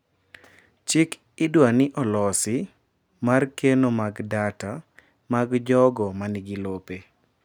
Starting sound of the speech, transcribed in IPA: t͡ʃ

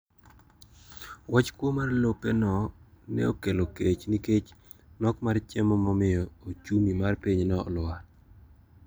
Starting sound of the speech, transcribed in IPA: w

